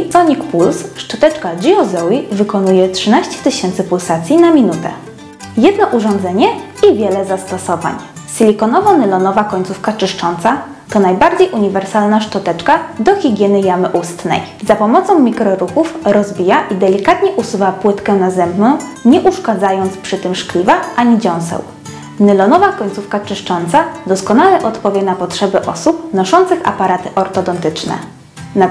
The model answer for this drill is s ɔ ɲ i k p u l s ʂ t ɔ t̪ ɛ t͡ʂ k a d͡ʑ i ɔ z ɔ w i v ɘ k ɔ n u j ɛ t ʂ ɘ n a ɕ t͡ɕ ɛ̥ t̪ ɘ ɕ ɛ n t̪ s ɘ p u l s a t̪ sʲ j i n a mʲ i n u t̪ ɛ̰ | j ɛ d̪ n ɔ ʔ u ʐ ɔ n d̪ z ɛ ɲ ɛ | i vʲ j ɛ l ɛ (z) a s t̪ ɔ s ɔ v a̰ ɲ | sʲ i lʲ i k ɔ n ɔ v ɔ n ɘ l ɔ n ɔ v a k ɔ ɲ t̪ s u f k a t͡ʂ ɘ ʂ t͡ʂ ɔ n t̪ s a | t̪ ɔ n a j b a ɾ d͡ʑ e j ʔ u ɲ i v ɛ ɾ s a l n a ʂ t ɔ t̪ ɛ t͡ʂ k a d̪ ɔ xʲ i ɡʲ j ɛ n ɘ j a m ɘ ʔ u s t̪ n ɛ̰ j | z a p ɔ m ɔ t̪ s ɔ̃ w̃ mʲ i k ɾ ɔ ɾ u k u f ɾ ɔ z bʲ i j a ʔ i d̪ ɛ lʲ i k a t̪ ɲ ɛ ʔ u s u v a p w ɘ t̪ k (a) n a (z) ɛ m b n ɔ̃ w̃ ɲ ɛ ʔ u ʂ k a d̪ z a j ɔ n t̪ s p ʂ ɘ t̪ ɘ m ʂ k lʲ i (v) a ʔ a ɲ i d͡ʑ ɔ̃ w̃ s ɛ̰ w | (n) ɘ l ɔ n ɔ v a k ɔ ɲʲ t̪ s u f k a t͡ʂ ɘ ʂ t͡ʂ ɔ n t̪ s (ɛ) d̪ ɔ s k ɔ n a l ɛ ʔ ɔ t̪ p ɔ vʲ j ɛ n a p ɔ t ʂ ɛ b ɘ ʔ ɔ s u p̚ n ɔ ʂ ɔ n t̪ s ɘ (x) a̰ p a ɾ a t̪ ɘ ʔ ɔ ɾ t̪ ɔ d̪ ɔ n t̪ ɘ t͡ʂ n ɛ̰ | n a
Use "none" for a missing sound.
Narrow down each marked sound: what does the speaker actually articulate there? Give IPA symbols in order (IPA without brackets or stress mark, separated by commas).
z, ɛ, z, v, n, a, x